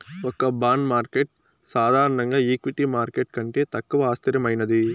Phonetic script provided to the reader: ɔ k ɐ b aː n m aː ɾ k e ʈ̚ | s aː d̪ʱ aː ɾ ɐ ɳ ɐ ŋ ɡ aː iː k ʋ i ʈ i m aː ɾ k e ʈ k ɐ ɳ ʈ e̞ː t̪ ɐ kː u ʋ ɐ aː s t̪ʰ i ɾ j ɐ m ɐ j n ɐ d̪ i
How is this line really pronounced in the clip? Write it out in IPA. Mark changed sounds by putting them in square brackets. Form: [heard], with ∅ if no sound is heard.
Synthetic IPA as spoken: ɔ k ɐ b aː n m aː ɾ k e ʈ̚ | s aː d̪ʱ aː ɾ ɐ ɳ ɐ ŋ ɡ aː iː k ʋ i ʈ i m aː ɾ k e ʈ k ɐ ɳ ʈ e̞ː t̪ ɐ kː u ʋ ɐ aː s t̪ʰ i ɾ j ɐ m ɐ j n ɐ d̪ i